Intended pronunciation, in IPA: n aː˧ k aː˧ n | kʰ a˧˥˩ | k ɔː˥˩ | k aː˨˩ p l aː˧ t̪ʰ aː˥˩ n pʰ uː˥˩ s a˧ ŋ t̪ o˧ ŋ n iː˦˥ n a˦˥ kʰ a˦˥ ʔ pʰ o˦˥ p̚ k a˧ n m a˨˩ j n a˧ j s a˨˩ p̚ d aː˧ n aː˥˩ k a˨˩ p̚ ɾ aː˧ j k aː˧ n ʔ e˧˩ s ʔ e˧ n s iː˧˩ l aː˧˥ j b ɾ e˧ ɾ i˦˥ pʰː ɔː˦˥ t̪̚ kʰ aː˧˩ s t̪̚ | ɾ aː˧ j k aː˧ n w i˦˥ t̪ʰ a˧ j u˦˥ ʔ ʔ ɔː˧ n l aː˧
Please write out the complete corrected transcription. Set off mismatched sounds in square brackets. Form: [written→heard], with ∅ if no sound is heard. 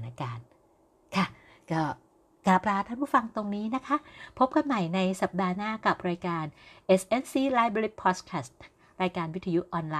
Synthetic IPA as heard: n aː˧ k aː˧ n | kʰ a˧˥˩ | k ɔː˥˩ | k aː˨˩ p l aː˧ t̪ʰ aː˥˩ n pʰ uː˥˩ [s→f] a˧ ŋ t̪ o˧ ŋ n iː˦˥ n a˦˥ kʰ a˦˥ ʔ pʰ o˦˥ p̚ k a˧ n m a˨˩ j n a˧ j s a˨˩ p̚ d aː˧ n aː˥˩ k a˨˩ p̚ ɾ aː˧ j k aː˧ n ʔ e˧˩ s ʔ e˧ n s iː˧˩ l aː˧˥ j b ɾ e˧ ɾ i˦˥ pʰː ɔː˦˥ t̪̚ kʰ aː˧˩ s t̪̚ | ɾ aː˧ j k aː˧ n w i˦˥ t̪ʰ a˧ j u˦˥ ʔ ʔ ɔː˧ n l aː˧